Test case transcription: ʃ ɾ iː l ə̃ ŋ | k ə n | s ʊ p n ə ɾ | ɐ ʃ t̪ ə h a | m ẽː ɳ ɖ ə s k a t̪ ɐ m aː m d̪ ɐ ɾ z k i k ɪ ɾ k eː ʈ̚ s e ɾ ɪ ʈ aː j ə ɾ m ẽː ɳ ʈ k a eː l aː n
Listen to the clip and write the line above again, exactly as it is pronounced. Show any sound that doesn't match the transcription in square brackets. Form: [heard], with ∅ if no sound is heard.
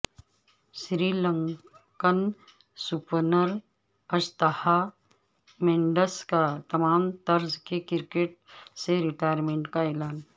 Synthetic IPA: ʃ ɾ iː l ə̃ ŋ | k ə n | s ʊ p n ə ɾ | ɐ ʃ t̪ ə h a | m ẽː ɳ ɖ ə s k a t̪ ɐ m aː m [t̪] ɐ ɾ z k [e] k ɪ ɾ k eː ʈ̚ s e ɾ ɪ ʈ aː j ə ɾ m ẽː ɳ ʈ k a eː l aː n